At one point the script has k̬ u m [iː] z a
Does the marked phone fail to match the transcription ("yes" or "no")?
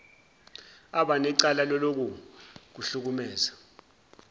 yes